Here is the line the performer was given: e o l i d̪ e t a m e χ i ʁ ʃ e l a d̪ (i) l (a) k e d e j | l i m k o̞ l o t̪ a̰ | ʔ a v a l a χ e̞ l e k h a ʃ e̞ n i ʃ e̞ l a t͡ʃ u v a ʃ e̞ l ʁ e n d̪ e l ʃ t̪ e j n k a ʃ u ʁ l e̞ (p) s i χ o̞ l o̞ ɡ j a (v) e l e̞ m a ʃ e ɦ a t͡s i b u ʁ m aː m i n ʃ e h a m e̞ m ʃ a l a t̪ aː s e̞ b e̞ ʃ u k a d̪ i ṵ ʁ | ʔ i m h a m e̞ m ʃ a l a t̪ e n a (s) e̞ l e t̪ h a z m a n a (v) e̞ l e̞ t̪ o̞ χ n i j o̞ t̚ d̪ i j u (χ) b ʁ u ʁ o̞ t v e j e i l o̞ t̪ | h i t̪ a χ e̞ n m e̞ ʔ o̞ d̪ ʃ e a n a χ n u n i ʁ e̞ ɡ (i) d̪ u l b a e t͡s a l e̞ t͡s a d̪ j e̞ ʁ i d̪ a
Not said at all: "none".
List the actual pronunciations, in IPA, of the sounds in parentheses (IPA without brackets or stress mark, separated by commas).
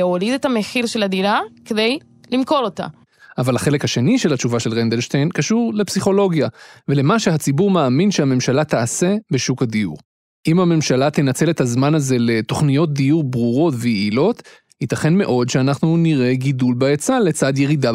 i, a, p, v, t͡s, z, ʁ, i